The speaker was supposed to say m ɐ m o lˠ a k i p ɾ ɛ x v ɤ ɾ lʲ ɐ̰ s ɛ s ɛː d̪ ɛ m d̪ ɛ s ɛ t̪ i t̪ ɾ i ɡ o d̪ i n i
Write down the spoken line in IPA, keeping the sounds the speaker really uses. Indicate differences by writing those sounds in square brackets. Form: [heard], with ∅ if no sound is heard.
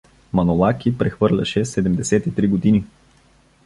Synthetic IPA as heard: m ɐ [n] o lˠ a k i p ɾ ɛ x v ɤ ɾ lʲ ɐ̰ [ʃ] ɛ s [ɛ] d̪ ɛ m d̪ ɛ s ɛ t̪ i t̪ ɾ i ɡ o d̪ i n i